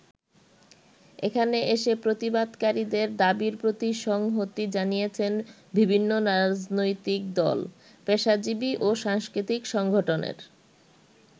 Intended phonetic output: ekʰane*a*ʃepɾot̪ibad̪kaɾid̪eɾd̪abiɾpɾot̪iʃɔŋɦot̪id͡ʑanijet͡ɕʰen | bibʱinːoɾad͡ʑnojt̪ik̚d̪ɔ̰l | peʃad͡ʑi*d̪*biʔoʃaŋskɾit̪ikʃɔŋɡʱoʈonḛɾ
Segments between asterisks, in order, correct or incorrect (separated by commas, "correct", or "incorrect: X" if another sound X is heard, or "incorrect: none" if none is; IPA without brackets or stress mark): incorrect: e, incorrect: none